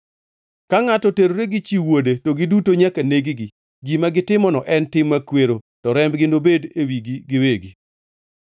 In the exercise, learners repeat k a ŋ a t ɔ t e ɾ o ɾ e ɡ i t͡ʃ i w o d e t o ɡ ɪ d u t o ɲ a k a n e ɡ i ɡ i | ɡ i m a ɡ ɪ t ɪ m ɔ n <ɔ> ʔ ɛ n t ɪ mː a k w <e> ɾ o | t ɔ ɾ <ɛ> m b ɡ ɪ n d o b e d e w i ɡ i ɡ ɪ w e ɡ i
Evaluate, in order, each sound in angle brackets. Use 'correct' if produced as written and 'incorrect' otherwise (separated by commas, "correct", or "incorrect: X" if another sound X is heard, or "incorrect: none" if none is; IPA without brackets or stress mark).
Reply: correct, correct, correct